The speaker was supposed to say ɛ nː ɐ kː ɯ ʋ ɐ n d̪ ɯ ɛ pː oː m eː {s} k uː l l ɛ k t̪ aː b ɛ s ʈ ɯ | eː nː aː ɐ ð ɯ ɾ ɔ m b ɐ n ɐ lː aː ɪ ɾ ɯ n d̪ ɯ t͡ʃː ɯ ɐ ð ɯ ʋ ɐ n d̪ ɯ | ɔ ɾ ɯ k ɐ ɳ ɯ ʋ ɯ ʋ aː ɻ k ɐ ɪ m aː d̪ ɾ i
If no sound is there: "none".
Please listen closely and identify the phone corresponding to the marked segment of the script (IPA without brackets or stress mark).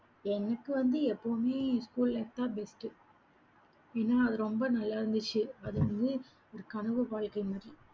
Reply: s